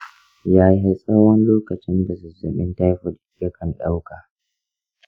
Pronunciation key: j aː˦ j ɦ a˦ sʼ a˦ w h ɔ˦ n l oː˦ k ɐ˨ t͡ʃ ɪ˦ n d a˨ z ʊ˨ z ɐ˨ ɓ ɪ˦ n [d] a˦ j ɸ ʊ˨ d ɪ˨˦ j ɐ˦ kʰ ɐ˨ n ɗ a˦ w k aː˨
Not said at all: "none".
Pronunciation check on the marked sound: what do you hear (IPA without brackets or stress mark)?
t